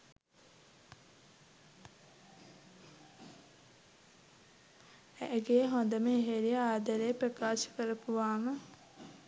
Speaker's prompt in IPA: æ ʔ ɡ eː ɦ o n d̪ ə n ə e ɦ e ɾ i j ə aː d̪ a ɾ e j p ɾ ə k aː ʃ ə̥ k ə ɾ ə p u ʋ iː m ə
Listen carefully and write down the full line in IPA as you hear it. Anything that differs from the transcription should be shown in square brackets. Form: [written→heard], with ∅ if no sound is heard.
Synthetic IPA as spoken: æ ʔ ɡ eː ɦ o n d̪ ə [n→m] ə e ɦ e ɾ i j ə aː d̪ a ɾ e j p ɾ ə k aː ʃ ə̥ k ə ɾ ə p u ʋ [iː→aː] m ə